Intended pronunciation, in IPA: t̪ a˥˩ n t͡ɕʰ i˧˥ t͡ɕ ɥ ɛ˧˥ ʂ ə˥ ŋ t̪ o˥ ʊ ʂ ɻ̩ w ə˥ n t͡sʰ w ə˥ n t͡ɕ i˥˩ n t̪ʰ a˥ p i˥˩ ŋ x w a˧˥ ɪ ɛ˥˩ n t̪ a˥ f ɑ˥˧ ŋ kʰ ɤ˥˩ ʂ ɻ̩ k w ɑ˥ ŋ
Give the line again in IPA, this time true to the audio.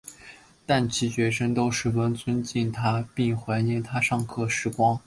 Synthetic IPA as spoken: t̪ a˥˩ n t͡ɕʰ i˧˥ t͡ɕ ɥ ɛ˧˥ ʂ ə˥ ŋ t̪ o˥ ʊ ʂ ɻ̩ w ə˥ n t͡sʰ w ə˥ n t͡ɕ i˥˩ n t̪ʰ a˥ p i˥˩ ŋ x w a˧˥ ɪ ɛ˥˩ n t̪ʰ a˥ ʂ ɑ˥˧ ŋ kʰ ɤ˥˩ ʂ ɻ̩ k w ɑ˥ ŋ